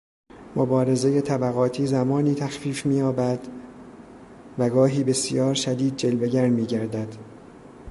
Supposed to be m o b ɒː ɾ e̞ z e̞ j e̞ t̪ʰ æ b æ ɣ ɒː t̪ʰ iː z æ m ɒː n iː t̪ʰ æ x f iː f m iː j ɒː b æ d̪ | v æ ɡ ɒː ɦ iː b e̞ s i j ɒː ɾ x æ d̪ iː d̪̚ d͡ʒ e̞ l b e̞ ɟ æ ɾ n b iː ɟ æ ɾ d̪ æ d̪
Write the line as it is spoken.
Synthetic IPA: m o b ɒː ɾ e̞ z e̞ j e̞ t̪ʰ æ b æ ɣ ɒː t̪ʰ iː z æ m ɒː n iː t̪ʰ æ x f iː f m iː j ɒː b æ d̪ | v æ ɡ ɒː ɦ iː b e̞ s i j ɒː ɾ ʃ æ d̪ iː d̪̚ d͡ʒ e̞ l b e̞ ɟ æ ɾ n m iː ɟ æ ɾ d̪ æ d̪